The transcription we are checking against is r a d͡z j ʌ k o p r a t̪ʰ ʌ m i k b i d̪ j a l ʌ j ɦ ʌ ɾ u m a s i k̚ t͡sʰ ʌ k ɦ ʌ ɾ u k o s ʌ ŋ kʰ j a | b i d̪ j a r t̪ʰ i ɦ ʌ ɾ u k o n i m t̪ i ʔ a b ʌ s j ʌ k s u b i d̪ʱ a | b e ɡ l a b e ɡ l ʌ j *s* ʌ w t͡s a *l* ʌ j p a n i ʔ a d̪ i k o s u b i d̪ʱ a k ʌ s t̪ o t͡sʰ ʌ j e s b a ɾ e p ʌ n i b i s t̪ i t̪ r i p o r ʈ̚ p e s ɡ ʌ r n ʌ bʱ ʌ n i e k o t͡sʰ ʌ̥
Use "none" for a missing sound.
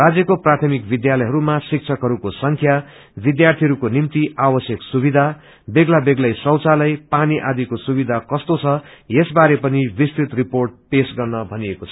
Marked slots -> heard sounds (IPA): s, l

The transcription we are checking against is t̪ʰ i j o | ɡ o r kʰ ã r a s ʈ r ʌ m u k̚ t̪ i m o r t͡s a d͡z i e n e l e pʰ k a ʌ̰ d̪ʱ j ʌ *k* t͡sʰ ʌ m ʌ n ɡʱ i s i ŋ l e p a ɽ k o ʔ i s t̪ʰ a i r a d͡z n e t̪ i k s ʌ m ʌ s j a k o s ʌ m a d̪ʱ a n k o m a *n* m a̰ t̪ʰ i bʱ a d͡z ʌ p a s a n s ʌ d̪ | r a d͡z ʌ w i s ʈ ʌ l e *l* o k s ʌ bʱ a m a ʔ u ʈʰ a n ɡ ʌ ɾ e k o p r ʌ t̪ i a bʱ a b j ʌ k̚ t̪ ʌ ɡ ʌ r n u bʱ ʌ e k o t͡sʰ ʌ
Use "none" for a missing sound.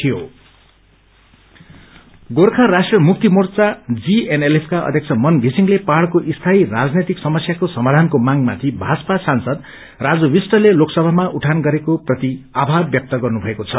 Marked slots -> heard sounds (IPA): k, ŋ, l

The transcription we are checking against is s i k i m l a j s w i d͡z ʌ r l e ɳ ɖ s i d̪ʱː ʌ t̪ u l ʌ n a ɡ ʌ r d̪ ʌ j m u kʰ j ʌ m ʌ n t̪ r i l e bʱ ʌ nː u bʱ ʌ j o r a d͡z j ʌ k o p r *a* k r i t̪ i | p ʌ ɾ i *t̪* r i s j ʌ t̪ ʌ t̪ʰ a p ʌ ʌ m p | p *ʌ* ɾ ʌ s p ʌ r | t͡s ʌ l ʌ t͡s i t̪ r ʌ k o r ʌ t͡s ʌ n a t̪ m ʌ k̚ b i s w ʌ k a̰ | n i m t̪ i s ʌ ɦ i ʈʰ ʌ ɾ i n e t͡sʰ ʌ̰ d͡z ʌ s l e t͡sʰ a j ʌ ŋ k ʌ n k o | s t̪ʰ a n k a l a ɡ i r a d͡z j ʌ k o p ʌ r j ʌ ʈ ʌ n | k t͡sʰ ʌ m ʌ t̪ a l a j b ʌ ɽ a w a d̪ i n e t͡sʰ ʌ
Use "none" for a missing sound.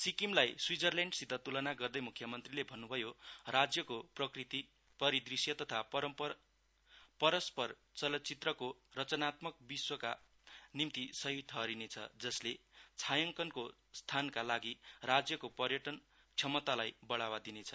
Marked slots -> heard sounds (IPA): ʌ, d̪, ʌ

